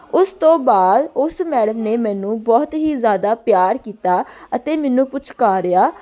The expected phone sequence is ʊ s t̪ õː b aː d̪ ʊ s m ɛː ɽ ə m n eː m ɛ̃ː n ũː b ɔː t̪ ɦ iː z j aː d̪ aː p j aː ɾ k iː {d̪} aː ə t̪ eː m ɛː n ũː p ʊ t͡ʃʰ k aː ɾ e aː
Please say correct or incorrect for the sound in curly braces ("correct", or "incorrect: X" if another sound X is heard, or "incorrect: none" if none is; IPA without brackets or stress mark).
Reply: incorrect: t̪